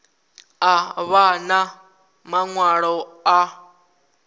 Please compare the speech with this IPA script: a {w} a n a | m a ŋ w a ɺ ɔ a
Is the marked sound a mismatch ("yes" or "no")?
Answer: yes